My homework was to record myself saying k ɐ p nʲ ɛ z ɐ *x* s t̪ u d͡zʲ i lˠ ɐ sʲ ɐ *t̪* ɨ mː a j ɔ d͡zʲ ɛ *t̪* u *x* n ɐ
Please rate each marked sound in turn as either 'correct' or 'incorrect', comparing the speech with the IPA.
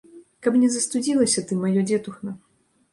incorrect: none, correct, correct, correct

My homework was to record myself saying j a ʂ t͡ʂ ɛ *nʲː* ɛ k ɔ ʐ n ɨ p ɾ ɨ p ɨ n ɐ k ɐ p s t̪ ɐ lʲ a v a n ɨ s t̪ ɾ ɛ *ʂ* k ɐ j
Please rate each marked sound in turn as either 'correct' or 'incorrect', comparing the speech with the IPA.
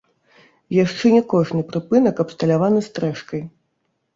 incorrect: nʲ, correct

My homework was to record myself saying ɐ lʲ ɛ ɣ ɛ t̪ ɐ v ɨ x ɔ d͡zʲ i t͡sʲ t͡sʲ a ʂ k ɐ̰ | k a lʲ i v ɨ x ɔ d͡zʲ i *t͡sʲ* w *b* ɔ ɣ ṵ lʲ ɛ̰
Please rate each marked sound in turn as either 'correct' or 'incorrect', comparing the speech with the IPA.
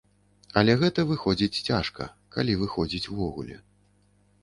correct, incorrect: v

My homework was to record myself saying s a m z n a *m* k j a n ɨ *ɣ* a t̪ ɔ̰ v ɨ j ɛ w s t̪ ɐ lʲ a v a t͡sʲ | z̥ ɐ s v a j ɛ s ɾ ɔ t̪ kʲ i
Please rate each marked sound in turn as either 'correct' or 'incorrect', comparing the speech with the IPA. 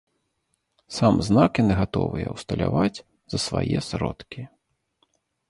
incorrect: none, correct

